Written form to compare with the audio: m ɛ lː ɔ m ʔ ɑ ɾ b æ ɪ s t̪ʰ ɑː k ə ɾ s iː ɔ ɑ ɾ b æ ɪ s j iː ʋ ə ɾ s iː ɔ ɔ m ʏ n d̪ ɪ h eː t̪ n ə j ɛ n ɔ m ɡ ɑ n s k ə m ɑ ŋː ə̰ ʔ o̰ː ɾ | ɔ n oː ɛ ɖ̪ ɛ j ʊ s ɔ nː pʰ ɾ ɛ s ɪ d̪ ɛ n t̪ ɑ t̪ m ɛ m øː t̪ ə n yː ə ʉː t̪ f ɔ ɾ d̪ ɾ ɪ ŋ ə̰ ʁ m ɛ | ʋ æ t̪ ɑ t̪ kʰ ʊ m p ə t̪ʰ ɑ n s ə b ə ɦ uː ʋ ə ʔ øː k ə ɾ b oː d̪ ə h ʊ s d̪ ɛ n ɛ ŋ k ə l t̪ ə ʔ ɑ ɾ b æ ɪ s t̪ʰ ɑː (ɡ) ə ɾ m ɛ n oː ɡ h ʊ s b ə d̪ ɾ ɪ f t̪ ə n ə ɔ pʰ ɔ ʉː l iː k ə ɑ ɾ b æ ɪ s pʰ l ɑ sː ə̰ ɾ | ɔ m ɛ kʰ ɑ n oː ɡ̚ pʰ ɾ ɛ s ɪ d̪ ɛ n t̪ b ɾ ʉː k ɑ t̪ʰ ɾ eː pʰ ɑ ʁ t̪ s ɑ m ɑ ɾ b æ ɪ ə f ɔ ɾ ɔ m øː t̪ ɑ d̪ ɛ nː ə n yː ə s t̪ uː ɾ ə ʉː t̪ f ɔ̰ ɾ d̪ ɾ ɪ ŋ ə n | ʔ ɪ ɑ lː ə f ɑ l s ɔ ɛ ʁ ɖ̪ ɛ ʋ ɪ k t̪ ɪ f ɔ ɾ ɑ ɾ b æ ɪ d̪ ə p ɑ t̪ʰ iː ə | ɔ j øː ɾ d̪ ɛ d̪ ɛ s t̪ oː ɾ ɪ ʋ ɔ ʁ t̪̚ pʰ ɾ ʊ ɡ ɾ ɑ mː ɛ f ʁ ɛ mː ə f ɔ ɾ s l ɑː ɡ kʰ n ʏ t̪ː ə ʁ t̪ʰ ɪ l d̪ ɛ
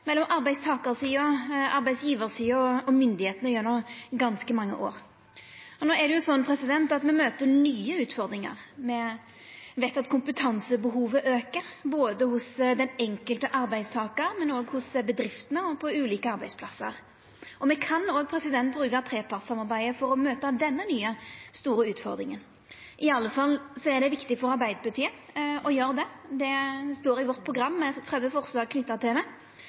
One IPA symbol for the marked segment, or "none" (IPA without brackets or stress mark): k